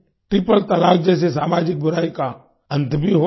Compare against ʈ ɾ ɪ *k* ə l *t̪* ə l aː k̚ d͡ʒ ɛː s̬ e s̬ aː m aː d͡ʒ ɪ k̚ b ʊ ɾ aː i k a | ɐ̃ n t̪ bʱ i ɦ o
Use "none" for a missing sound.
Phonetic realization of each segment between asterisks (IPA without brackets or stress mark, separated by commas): p, t̪